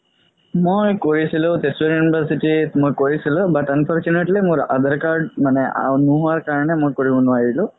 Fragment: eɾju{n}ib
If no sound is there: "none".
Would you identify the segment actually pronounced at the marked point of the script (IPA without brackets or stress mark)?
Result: n